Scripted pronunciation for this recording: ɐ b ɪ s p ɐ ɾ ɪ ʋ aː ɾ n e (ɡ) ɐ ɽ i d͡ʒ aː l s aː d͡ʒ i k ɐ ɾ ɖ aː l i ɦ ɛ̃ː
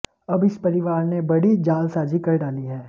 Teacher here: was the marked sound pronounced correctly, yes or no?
no